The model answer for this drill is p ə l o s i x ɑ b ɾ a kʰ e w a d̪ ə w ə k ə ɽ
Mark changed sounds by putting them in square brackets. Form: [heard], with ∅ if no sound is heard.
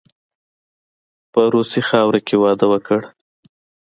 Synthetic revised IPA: p ə [ɾ] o s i x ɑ [w] ɾ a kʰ e w [ɑ] d̪ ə w ə k ə ɽ